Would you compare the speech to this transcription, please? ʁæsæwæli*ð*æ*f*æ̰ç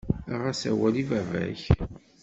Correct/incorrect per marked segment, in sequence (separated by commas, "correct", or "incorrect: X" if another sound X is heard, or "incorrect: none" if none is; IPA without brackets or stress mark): incorrect: v, incorrect: v